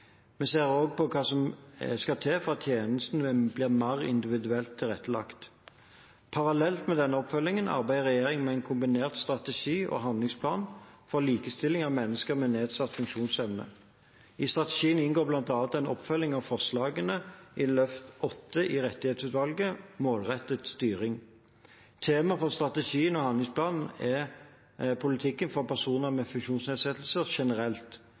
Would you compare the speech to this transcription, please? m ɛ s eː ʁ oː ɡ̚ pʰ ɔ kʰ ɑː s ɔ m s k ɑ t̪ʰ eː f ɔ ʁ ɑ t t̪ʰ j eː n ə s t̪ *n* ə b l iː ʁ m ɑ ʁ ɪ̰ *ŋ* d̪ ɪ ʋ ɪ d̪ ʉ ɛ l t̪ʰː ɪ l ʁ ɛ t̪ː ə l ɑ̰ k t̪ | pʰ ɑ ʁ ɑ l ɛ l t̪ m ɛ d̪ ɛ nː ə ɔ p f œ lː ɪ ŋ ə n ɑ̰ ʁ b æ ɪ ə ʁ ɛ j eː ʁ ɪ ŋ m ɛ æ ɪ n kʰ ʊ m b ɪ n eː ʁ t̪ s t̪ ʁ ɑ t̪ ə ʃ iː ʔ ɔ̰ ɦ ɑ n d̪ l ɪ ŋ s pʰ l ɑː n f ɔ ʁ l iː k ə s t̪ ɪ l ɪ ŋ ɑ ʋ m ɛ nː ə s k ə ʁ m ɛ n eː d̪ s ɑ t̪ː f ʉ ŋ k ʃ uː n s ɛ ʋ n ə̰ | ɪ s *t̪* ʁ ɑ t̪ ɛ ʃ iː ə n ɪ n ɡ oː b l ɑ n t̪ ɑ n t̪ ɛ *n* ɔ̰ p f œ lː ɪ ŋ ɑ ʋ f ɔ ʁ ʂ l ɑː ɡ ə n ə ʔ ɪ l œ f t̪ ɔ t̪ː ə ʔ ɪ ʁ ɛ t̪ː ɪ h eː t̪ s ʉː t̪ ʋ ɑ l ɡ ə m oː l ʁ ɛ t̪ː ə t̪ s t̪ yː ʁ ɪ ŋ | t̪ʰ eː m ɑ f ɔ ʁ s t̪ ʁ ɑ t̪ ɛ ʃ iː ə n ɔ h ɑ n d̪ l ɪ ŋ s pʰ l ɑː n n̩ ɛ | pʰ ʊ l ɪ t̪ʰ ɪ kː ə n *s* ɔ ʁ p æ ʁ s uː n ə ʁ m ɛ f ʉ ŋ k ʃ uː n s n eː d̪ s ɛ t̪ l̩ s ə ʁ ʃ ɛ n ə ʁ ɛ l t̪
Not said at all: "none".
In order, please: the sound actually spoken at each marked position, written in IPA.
n, n, t̪, n, f

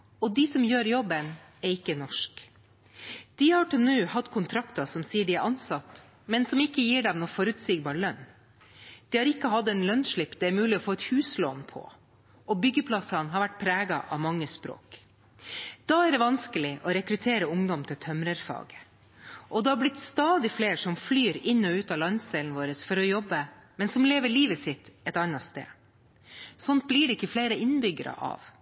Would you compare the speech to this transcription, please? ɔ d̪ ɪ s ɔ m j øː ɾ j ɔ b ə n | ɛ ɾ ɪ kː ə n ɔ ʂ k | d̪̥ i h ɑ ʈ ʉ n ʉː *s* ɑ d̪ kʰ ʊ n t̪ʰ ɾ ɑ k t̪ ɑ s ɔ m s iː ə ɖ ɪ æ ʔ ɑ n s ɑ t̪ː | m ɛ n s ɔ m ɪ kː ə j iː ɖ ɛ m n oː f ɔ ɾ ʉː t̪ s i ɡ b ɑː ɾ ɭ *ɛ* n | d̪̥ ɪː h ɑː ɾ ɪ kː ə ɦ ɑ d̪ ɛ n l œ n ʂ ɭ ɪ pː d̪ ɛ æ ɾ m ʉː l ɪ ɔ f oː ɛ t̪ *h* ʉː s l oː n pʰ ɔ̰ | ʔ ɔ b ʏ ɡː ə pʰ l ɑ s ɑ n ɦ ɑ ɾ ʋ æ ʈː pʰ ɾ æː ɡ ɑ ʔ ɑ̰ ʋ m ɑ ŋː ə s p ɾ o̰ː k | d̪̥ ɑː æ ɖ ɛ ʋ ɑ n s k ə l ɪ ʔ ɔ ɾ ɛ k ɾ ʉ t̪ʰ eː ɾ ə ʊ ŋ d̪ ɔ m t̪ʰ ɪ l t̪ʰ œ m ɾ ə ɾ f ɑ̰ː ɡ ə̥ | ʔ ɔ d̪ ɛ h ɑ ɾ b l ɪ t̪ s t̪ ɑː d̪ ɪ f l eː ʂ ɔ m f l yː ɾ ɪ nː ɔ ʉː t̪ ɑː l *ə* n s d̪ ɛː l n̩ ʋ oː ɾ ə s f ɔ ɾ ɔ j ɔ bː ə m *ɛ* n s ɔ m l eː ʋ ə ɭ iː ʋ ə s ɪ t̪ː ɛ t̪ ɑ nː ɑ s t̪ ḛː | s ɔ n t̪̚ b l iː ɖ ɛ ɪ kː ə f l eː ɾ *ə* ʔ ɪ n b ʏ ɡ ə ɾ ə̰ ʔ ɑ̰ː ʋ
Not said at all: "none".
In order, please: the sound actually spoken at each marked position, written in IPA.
h, œ, h, ɑ, ɛ, ə

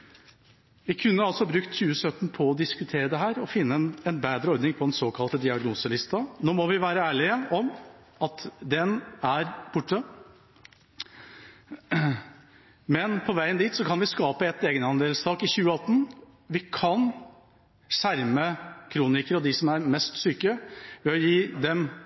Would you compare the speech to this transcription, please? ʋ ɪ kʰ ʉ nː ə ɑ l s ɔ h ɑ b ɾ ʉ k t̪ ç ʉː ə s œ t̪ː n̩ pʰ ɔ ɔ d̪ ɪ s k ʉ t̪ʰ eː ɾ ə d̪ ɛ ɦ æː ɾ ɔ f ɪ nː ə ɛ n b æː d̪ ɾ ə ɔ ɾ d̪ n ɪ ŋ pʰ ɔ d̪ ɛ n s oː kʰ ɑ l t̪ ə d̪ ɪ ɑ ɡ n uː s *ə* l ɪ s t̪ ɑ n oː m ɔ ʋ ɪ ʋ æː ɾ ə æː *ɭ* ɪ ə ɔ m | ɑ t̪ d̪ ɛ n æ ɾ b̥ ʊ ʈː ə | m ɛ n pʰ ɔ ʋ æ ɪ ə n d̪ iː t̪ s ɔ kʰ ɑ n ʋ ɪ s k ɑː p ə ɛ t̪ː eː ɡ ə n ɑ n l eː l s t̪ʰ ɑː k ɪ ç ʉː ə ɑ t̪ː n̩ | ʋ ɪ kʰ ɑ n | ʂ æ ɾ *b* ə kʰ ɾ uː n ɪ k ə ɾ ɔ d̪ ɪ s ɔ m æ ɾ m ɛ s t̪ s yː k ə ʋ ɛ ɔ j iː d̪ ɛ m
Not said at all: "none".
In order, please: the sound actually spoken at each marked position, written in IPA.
ə, ɭ, m

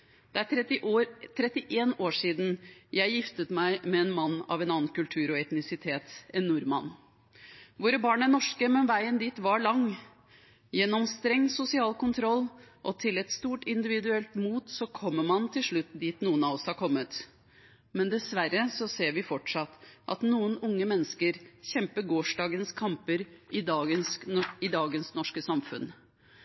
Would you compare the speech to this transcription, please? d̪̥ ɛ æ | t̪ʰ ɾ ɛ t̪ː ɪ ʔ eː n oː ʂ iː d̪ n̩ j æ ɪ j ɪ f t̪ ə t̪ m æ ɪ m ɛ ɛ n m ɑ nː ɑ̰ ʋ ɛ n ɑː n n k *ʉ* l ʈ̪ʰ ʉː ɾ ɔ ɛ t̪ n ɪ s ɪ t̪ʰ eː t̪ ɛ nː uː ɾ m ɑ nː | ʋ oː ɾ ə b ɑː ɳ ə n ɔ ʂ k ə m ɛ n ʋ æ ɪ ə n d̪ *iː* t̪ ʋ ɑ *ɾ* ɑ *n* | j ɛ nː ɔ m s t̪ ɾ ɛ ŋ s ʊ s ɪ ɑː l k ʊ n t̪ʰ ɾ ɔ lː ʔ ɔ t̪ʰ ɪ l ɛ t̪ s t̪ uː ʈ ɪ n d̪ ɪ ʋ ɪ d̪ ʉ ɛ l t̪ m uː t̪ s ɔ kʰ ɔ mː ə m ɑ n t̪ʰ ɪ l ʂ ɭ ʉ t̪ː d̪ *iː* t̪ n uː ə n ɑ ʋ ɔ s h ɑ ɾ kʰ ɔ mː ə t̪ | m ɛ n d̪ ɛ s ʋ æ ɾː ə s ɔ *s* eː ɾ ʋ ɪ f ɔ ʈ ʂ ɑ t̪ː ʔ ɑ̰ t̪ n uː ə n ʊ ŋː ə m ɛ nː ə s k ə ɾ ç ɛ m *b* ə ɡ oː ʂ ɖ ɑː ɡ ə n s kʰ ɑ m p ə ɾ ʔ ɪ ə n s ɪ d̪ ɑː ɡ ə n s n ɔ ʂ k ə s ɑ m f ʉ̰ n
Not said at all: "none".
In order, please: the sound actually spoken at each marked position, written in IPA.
ʉ, iː, ɭ, ŋ, iː, s, p

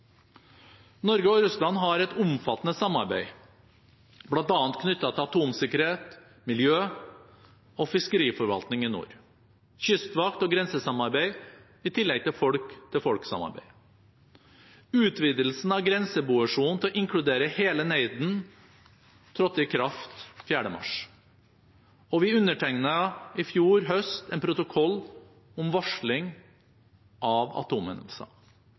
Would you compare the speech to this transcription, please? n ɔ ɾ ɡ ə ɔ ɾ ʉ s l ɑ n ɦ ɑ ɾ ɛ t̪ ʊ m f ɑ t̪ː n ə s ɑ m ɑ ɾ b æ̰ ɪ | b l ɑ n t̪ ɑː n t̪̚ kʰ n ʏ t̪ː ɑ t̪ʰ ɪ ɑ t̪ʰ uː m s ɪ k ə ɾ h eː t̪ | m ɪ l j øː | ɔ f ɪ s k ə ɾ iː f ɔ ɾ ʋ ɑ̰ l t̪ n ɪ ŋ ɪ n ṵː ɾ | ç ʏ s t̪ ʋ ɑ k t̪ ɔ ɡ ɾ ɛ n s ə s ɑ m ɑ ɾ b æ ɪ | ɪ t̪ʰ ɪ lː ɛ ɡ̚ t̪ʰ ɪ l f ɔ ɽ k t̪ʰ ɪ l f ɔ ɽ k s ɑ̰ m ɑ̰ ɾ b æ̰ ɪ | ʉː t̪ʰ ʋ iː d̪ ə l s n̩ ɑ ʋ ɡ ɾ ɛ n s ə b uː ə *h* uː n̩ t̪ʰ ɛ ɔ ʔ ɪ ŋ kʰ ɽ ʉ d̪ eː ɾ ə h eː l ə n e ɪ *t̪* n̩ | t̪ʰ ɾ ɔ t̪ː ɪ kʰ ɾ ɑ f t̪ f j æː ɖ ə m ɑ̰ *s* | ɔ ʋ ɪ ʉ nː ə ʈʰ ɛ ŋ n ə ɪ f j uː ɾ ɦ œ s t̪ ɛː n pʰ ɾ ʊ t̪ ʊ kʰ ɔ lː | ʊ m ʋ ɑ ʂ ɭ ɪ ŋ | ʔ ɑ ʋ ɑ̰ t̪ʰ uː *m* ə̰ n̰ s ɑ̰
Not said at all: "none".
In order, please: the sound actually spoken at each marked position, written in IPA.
ʂ, d̪, ʂ, m

